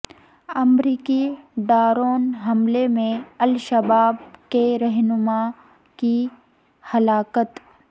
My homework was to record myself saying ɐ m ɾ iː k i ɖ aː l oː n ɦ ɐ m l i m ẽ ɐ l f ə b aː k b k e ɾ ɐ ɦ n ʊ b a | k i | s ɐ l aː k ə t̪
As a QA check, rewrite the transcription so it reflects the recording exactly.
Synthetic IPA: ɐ m ɾ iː k i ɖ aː ɾ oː n ɦ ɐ m l e m ẽ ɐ l ʃ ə b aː b k e ɾ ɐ ɦ n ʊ m a | k i | h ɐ l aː k ə t̪